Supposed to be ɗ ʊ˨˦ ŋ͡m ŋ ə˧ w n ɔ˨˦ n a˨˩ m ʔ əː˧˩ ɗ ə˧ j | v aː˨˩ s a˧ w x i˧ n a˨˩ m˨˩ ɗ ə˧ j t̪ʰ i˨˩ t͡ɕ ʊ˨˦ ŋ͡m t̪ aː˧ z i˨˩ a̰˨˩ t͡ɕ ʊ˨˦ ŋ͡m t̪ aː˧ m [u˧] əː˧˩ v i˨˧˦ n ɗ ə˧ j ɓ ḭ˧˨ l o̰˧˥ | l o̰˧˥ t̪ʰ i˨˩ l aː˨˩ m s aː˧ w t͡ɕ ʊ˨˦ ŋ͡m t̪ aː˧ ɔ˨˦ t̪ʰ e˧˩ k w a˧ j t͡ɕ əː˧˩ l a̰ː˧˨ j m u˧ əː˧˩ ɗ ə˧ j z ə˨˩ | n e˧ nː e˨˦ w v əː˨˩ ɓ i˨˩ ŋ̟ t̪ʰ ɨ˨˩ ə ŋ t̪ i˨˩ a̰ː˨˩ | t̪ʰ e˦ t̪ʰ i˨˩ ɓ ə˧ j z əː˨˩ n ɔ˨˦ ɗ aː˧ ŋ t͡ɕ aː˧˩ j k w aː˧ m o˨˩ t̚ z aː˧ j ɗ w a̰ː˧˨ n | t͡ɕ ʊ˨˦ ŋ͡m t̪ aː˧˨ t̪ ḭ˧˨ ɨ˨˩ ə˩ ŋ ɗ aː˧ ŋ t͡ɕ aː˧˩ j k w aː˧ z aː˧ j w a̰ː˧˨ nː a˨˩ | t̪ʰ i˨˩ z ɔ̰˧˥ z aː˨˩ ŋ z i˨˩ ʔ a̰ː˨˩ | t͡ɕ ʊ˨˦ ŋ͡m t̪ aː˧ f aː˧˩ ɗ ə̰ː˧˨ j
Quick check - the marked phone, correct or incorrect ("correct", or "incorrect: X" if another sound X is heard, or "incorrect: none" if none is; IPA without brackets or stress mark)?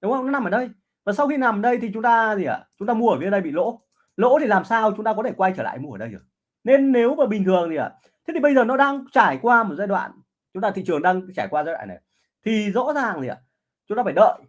correct